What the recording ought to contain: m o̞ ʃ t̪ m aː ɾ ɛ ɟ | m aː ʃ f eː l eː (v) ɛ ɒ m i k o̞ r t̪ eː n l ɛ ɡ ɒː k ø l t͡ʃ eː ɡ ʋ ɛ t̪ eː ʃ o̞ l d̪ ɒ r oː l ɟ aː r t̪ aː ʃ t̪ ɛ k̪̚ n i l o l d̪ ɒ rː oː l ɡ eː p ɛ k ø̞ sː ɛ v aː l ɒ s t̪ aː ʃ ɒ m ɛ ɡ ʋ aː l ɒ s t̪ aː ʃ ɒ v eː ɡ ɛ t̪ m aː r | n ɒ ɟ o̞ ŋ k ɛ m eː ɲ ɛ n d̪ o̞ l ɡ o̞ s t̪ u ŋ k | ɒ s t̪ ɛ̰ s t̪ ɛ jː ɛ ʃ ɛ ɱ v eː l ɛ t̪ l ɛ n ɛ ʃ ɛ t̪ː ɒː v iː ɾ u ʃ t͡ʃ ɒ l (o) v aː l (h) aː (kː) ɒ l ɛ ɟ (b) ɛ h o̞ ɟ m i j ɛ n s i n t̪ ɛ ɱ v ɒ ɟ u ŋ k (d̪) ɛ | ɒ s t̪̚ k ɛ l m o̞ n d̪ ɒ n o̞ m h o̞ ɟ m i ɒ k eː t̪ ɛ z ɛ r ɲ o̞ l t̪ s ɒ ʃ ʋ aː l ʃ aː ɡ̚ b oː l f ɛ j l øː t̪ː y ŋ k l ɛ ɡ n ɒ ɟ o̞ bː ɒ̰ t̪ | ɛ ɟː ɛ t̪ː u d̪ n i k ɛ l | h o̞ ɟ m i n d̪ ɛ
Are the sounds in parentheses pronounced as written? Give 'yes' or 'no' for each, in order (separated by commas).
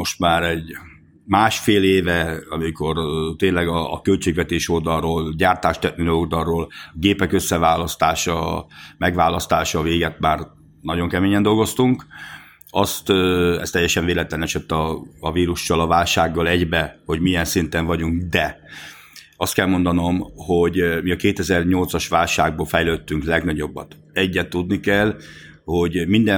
yes, no, no, no, yes, yes